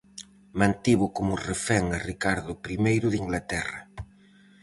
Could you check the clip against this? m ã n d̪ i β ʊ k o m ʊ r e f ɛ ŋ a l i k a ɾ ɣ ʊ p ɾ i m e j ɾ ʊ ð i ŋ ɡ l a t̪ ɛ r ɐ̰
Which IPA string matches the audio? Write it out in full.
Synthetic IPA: m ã n t̪ i β ʊ k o m ʊ r e f ɛ ŋ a r i k a ɾ ð ʊ p ɾ i m e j ɾ ʊ ð i ŋ ɡ l a t̪ ɛ r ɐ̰